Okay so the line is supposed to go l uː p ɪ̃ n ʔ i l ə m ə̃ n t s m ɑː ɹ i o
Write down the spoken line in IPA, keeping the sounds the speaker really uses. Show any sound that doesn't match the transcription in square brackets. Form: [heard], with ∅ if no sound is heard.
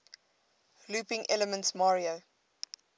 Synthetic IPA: l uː p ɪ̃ [ŋ] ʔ [ɛ] l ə m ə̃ n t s m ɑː ɹ i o